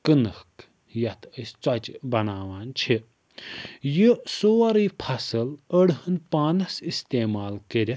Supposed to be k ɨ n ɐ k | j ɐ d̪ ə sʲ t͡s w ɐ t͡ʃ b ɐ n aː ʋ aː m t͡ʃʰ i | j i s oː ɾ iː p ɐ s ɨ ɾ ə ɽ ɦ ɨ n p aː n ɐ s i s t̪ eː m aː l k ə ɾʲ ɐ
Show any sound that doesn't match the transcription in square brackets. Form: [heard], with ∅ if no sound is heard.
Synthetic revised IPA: k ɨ n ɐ k | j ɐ [t̪] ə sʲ t͡s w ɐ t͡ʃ b ɐ n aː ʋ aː [n] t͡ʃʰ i | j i s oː ɾ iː [pʰ] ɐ s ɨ [l] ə ɽ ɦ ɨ n p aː n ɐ s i s t̪ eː m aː l k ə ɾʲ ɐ